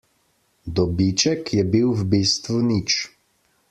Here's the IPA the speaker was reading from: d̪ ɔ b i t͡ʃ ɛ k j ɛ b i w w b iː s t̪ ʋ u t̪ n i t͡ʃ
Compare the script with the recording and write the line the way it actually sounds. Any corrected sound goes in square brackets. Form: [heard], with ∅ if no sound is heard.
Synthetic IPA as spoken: d̪ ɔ b i t͡ʃ ɛ k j ɛ b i w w b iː s t̪ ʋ u [∅] n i t͡ʃ